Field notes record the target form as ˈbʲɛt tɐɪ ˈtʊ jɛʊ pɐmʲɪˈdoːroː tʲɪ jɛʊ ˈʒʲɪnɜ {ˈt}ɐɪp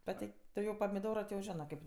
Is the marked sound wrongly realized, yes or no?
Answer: yes